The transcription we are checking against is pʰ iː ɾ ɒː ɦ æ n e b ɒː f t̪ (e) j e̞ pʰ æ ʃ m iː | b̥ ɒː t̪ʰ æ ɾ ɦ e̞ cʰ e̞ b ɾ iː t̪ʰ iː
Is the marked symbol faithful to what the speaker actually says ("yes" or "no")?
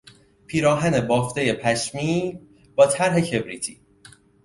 yes